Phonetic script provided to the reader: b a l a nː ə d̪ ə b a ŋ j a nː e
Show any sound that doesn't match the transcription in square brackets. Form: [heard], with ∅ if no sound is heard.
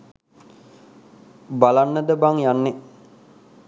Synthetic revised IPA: b a l a nː ə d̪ ə b a ŋ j a nː e